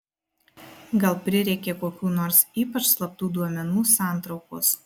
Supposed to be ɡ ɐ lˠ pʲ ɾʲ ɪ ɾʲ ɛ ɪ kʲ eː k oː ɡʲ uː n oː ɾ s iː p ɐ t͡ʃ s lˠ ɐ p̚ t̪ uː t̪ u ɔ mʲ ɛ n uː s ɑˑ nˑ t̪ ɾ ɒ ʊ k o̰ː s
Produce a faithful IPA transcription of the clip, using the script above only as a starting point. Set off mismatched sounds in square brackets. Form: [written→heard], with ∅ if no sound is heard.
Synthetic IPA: ɡ ɐ lˠ pʲ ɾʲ ɪ ɾʲ ɛ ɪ kʲ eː k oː [ɡʲ→kʲ] uː n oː ɾ s iː p ɐ t͡ʃ s lˠ ɐ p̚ t̪ uː [t̪→d̪] u ɔ mʲ ɛ n uː s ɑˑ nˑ t̪ ɾ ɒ ʊ k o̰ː s